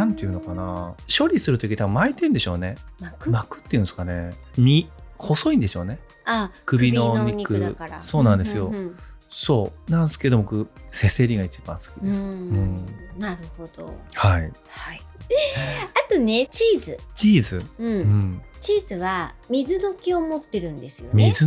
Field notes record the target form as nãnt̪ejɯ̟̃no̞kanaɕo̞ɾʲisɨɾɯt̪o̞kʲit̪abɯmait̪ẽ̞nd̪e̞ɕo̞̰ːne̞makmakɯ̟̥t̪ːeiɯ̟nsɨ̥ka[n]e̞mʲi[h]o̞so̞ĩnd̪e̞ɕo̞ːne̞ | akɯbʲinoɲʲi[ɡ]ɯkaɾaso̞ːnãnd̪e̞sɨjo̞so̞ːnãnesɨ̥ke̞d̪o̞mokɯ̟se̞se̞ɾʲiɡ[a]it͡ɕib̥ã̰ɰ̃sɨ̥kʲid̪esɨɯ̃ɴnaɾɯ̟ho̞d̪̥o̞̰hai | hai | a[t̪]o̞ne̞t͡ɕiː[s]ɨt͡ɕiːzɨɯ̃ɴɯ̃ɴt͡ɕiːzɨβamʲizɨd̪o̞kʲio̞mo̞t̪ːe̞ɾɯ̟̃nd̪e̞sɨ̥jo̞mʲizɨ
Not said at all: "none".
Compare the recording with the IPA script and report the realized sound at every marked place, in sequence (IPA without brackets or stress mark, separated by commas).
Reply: n, h, k, a, t̪, z